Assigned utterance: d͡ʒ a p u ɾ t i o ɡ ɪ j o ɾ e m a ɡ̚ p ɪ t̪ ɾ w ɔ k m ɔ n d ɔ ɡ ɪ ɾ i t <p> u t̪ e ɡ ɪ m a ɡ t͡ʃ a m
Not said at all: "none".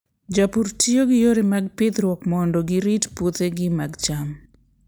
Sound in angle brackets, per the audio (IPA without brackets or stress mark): p